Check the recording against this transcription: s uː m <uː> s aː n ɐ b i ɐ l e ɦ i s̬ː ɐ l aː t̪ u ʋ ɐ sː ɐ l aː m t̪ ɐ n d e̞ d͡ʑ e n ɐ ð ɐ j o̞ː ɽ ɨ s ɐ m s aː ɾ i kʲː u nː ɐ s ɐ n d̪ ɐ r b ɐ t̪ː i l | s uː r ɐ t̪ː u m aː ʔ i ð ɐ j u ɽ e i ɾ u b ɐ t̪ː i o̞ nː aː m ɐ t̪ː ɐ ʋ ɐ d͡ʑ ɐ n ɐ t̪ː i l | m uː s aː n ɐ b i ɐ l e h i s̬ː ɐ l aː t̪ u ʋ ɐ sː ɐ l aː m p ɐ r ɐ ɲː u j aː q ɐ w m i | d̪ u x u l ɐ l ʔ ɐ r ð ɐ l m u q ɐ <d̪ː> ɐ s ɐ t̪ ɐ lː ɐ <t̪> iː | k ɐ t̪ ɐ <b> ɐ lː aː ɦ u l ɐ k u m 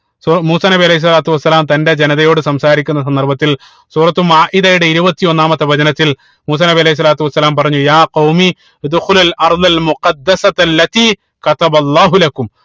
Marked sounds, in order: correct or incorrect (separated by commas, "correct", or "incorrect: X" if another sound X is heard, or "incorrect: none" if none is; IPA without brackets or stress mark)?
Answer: correct, correct, correct, correct